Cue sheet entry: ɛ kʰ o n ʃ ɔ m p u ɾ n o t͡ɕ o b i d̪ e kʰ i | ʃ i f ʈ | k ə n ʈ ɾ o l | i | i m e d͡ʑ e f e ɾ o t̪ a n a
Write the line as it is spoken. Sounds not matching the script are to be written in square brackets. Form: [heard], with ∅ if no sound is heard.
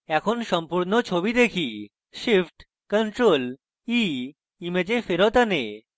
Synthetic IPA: ɛ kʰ o n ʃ ɔ m p u ɾ n o [t͡ɕʰ] o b i d̪ e kʰ i | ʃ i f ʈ | k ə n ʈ ɾ o l | i | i m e d͡ʑ e f e ɾ o t̪ a n [e]

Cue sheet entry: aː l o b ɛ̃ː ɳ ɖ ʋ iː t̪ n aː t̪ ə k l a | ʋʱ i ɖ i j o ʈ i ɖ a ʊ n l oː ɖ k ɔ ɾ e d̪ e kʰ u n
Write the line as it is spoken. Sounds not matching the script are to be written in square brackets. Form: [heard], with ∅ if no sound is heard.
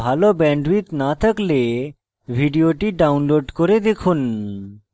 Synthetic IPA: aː l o b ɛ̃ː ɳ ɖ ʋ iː t̪ n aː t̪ ə k l [e] | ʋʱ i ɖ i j o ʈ i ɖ a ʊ n l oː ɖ k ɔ ɾ e d̪ e kʰ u n

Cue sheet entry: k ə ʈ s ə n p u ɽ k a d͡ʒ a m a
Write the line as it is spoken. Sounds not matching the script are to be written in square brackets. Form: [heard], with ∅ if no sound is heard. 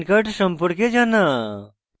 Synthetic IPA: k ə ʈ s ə [m] p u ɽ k [e] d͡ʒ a [n] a

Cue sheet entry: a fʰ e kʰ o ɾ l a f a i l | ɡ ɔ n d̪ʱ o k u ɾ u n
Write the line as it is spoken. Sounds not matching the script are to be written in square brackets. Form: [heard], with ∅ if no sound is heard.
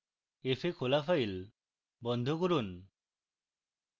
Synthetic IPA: [e] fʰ e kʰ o [∅] l a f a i l | [b] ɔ n d̪ʱ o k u ɾ u n

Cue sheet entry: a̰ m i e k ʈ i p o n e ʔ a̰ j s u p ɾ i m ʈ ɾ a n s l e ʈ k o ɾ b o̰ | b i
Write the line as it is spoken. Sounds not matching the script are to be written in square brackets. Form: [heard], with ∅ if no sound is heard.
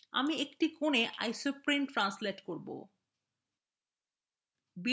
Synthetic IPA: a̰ m i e k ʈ i [k] o n e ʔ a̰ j s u p ɾ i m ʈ ɾ a n s l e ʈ k o ɾ b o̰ | b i

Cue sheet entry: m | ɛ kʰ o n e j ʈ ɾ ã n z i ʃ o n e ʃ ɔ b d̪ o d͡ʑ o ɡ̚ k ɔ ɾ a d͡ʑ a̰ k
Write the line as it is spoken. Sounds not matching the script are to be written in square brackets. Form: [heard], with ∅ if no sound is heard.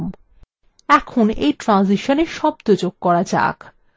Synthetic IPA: m | ɛ kʰ o n e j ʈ ɾ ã n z i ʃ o n e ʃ ɔ b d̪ o d͡ʑ o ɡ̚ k ɔ ɾ a d͡ʑ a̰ k

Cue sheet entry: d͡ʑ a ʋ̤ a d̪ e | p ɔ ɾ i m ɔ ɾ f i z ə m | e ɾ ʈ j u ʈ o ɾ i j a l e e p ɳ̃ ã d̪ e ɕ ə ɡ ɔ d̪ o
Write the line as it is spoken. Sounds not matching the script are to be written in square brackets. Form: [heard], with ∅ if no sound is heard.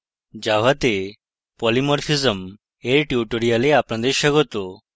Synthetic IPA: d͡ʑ a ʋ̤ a [t̪] e | p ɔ [l] i m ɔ ɾ f i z ə m | e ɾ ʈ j u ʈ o ɾ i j a l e [a] p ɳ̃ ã d̪ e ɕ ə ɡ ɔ [t̪] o

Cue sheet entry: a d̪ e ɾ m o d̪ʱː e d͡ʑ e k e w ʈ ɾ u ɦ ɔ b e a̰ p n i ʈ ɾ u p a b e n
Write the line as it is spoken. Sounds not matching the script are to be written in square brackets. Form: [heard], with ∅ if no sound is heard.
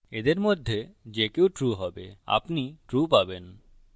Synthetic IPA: [e] d̪ e ɾ m o d̪ʱː e d͡ʑ e k e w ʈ ɾ u ɦ ɔ b e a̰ p n i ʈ ɾ u p a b e n

